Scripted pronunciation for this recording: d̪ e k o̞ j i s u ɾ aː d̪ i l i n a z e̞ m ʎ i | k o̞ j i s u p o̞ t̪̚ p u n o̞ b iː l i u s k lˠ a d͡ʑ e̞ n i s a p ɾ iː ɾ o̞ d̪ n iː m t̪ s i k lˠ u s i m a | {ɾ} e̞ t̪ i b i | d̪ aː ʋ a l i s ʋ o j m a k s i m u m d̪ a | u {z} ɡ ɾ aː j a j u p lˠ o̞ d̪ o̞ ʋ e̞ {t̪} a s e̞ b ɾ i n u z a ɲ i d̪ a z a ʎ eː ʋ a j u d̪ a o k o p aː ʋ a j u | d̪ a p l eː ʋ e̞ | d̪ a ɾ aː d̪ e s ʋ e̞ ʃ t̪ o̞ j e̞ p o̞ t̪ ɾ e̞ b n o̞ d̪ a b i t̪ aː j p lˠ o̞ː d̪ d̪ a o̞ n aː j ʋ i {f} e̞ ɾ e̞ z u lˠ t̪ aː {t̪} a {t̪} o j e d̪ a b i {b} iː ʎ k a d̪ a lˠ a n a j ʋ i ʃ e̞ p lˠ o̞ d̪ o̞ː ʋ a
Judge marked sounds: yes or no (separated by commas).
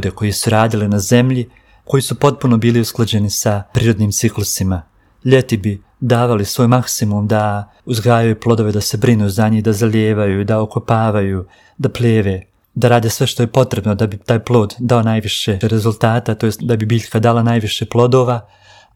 no, yes, no, no, yes, yes, yes